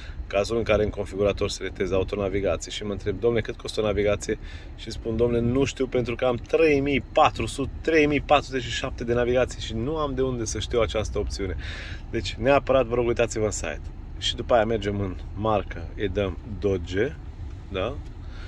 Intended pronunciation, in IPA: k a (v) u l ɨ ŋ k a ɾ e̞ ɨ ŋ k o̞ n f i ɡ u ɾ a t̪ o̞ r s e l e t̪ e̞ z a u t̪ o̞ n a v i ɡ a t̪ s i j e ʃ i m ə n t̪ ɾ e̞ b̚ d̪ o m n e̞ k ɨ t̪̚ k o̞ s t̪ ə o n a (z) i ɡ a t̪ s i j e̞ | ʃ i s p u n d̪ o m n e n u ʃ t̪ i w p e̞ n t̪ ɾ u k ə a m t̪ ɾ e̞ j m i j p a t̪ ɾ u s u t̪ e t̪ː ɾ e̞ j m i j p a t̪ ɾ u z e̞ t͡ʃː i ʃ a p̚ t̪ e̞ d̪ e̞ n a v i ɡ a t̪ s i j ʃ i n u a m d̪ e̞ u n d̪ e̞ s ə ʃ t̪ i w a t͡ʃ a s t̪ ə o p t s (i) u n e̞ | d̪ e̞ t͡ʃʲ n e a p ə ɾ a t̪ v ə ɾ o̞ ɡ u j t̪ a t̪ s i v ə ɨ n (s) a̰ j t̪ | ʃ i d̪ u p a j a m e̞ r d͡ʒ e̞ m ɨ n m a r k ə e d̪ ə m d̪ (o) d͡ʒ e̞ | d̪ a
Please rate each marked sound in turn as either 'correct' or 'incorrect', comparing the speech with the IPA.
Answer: incorrect, incorrect, correct, correct, correct

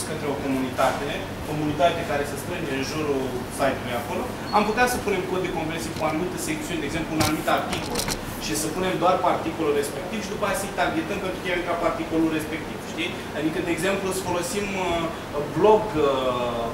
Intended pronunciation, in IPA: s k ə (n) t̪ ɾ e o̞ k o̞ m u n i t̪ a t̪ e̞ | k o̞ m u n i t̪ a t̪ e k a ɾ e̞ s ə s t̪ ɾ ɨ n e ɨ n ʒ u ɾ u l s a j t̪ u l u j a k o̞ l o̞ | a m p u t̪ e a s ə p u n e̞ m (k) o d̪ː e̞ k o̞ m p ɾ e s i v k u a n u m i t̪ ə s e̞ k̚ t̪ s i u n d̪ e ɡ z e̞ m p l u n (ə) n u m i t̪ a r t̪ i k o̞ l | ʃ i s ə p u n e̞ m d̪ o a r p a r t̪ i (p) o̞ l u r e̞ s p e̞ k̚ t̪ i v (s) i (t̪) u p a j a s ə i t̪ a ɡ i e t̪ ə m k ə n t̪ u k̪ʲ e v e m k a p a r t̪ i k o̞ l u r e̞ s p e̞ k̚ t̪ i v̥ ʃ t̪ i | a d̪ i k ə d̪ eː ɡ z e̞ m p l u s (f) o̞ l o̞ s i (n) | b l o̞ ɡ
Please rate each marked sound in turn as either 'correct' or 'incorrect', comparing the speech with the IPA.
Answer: correct, correct, incorrect, incorrect, incorrect, incorrect, correct, incorrect

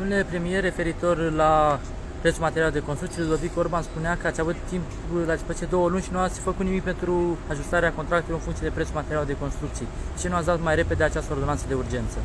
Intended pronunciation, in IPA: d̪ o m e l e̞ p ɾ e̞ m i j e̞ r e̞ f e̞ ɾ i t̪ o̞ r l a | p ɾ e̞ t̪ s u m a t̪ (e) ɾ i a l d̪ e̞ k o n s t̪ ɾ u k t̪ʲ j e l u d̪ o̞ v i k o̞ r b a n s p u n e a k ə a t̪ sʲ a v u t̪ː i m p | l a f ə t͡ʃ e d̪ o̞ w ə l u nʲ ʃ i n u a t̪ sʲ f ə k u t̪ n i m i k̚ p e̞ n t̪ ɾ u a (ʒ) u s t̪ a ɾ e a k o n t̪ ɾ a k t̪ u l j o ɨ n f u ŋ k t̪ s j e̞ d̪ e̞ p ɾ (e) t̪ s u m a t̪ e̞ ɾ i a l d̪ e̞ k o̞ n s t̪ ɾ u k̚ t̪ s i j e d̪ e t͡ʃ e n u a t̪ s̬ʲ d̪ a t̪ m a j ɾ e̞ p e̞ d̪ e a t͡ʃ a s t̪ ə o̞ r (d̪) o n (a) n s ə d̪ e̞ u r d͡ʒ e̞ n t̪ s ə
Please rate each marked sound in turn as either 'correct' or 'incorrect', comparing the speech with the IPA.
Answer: correct, correct, correct, correct, correct

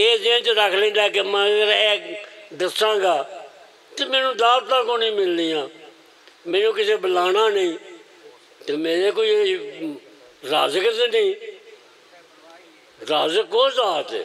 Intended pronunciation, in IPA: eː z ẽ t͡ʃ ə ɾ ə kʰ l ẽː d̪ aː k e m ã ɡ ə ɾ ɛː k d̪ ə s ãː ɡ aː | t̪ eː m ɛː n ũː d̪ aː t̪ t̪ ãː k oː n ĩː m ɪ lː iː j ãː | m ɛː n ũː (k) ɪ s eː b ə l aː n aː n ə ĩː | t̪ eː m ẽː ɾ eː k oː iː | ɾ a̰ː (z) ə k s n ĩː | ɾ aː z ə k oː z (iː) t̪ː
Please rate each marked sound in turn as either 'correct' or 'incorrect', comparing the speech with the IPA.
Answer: correct, correct, incorrect

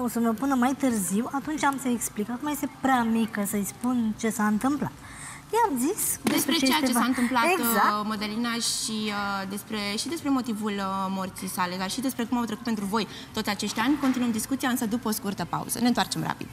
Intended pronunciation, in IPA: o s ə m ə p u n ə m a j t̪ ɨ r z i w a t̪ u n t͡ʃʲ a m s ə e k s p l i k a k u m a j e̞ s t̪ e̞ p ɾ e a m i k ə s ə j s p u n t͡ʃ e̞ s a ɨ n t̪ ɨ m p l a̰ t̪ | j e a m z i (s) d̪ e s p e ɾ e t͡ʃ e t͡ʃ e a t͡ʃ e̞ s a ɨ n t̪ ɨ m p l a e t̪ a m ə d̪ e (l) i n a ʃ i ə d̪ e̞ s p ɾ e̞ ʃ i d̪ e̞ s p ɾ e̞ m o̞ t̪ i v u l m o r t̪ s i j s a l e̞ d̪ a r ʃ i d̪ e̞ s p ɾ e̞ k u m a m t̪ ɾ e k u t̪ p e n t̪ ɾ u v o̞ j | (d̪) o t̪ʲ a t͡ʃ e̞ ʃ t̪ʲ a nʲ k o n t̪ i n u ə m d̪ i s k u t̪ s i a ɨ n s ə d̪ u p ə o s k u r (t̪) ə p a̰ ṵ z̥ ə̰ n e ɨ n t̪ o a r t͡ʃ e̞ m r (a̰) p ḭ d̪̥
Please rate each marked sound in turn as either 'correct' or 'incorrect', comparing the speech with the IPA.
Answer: correct, correct, incorrect, correct, correct

